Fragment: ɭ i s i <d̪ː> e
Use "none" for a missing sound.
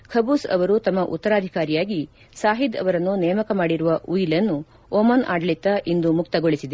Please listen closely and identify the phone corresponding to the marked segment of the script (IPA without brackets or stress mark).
d̪